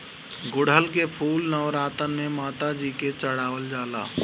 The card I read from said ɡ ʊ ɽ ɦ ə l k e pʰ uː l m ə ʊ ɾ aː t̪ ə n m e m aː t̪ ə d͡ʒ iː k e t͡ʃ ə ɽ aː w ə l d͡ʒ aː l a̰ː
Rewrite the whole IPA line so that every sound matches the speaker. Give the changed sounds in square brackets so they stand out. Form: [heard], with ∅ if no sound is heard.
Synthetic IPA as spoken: ɡ ʊ ɽ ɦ ə l k e pʰ uː l [n] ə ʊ ɾ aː t̪ ə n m e m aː t̪ [a] d͡ʒ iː k e t͡ʃ ə ɽ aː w ə l d͡ʒ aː l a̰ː